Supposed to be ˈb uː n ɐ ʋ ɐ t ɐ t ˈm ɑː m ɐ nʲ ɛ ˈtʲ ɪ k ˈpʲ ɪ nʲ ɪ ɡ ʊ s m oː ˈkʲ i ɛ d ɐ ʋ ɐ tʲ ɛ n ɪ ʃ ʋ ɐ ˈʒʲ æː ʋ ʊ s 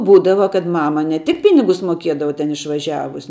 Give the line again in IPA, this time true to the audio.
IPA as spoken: ˈb uː d ɐ ʋ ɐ k ɐ t ˈm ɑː m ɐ nʲ ɛ ˈtʲ ɪ k ˈpʲ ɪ nʲ ɪ ɡ ʊ s m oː ˈkʲ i ɛ d ɐ ʋ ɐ tʲ ɛ n ɪ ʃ ʋ ɐ ˈʒʲ æː ʋ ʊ s